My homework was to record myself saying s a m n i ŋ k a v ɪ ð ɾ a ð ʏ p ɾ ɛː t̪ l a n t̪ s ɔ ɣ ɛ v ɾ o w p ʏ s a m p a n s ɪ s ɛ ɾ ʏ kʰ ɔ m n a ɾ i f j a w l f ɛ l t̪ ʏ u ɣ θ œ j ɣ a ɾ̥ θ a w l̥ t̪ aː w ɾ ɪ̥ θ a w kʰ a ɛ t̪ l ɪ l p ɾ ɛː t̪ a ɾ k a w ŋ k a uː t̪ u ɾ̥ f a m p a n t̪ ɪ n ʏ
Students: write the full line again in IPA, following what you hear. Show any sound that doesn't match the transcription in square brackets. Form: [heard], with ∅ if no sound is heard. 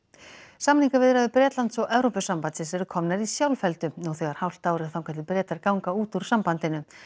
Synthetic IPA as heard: s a m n i ŋ k a v ɪ ð ɾ a ð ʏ p ɾ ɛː t̪ l a n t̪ s ɔ ɣ ɛ v ɾ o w p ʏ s a m p a n s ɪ s ɛ ɾ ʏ kʰ ɔ m n a ɾ i [s] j a w l f ɛ l t̪ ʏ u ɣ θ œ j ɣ a ɾ̥ [h] a w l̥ t̪ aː w ɾ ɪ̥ θ a w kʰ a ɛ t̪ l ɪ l p ɾ ɛː t̪ a ɾ k a w ŋ k a uː t̪ u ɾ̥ [s] a m p a n t̪ ɪ n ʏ